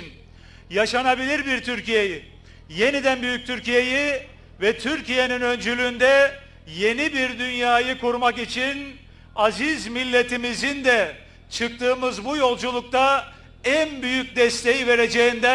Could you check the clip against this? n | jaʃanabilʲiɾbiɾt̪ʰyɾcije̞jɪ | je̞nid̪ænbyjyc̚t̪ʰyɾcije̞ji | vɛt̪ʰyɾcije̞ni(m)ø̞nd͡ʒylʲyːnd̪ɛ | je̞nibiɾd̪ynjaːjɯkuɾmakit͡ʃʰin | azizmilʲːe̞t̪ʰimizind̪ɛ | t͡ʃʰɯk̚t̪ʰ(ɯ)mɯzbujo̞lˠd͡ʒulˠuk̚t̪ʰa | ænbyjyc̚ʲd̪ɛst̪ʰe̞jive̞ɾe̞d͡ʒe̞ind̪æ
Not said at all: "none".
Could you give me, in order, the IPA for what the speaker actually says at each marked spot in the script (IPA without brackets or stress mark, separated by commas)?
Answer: n, ɯː